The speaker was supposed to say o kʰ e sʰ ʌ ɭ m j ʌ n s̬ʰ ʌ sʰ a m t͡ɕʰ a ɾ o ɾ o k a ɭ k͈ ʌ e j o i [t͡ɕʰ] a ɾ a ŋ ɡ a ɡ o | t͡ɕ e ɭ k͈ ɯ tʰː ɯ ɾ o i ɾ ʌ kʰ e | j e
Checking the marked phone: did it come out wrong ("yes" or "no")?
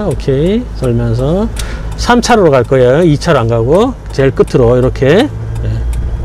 no